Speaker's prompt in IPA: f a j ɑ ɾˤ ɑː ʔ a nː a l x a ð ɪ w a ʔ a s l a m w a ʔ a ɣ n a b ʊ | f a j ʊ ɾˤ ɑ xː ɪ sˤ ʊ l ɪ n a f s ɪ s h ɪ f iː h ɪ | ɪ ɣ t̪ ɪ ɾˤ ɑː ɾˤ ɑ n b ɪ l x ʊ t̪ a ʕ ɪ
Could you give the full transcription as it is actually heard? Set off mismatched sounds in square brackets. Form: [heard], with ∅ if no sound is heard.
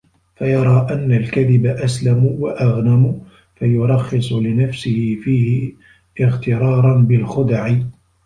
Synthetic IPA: f a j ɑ ɾˤ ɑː ʔ a nː a l [k] a ð ɪ [b] a ʔ a s l a m w a ʔ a ɣ n a [m] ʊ | f a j ʊ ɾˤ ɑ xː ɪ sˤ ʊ l ɪ n a f s ɪ [∅] h ɪ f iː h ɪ | ɪ ɣ t̪ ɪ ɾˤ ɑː ɾˤ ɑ n b ɪ l x ʊ [d̪] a ʕ ɪ